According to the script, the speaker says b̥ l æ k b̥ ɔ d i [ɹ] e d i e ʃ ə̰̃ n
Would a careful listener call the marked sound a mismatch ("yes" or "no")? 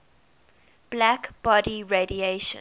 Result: no